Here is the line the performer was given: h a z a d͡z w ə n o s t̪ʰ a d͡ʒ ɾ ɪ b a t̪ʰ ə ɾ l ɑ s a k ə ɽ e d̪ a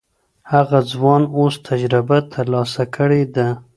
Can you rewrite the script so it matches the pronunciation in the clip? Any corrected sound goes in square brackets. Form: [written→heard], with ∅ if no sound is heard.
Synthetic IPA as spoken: h a [z→ɣ] a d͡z w [ə→ɑ] n o s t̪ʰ a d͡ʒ ɾ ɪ b a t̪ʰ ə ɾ l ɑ s a k ə ɽ e d̪ a

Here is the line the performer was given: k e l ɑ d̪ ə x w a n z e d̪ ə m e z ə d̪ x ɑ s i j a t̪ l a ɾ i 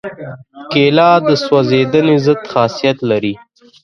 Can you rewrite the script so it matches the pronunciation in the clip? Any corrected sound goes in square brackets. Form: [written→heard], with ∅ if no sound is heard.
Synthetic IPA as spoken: k e l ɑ d̪ ə [x→s] w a [n→∅] z e d̪ ə [m→n] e z ə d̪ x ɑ s i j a t̪ l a ɾ i

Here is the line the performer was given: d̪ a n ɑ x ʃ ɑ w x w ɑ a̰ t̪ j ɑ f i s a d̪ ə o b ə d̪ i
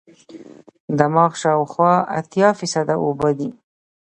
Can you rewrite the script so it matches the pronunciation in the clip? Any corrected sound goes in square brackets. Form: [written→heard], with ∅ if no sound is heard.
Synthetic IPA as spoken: d̪ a [n→m] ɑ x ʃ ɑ w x w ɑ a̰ t̪ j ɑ f i s a d̪ [ə→a] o b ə d̪ i

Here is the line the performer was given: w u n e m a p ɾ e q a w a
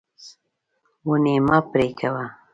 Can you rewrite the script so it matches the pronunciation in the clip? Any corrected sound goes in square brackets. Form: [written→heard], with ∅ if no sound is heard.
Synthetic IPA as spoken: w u n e m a p ɾ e [q→k] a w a

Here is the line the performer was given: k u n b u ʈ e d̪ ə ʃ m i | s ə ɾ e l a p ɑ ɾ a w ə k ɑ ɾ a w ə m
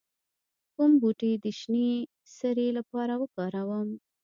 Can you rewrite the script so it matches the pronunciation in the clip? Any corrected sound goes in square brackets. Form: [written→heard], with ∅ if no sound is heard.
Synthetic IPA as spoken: k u [n→m] b u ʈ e d̪ ə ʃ [m→n] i | s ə ɾ e l a p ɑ ɾ a w ə k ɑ ɾ a w ə m

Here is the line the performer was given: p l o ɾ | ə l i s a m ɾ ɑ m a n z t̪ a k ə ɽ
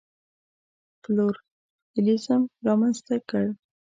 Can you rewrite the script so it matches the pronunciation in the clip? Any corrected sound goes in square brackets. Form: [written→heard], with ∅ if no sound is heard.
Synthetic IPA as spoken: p l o ɾ | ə l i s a m ɾ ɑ m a n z t̪ a k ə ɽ

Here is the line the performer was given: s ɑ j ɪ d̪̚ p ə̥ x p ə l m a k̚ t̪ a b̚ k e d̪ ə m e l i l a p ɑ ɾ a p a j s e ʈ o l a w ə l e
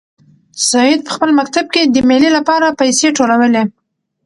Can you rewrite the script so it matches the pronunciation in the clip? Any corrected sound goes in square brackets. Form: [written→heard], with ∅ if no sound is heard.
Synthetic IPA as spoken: s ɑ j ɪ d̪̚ p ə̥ x p ə l m a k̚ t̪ a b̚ k e d̪ ə m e l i l a p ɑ ɾ a p a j s e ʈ o l a w ə l e

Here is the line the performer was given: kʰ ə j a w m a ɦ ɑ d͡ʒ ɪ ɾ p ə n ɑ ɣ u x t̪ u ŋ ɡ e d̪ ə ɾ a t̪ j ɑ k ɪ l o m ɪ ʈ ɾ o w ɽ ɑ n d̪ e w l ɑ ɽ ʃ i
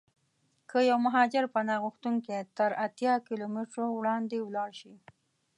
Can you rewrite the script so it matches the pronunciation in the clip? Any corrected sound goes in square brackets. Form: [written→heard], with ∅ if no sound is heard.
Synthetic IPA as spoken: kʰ ə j a w m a ɦ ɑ d͡ʒ ɪ ɾ p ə n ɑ ɣ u x t̪ u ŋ [ɡ→k] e [d̪→t̪] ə ɾ a t̪ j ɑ k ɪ l o m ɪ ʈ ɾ o w ɽ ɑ n d̪ e w l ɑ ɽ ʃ i

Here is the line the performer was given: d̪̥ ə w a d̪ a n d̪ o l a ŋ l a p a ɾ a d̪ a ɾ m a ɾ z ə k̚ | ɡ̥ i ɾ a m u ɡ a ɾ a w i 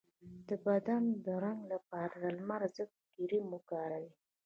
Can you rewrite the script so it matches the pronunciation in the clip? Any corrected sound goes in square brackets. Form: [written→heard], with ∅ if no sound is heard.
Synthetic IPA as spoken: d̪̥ ə [w→b] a d̪ a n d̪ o [l→ɾ] a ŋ l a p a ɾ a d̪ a [ɾ→l] m a ɾ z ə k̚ | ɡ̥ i ɾ [a→i] m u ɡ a ɾ a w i

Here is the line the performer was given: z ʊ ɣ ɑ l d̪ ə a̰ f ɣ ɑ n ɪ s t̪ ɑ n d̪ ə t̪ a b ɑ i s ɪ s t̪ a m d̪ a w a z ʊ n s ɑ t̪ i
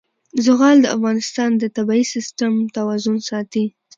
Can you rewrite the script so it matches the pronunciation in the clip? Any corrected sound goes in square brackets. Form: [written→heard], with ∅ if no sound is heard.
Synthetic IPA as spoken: z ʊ ɣ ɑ l d̪ ə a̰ f ɣ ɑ n ɪ s t̪ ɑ n d̪ ə t̪ a b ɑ i s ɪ s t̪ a m [d̪→t̪] a w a z ʊ n s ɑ t̪ i

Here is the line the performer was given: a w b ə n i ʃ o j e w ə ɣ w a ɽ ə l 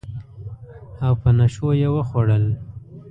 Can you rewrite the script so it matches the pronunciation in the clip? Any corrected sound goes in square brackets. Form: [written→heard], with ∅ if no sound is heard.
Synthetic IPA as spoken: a w [b→p] ə n [i→a] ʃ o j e w ə [ɣ→x] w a ɽ ə l

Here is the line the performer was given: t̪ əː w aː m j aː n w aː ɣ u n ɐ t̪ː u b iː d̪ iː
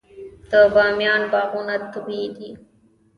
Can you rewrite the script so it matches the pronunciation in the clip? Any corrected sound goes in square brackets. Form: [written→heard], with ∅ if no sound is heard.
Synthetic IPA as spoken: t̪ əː [w→b] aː m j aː n [w→b] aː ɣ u n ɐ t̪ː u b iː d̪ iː

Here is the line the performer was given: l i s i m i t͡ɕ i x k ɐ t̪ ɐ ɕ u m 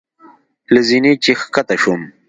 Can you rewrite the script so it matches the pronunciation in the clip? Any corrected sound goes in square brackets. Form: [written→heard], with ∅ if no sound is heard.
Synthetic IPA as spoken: l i [s→z] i [m→n] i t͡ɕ i x k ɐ t̪ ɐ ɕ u m

